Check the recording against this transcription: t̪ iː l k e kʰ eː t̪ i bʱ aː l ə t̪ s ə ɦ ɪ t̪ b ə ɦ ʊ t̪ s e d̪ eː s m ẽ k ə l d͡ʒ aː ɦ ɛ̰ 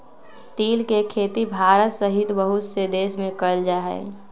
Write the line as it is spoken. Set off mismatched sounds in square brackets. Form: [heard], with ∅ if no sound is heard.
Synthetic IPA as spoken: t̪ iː l k e kʰ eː t̪ i bʱ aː [ɾ] ə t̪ s ə ɦ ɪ t̪ b ə ɦ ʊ t̪ s e d̪ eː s m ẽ k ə l d͡ʒ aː ɦ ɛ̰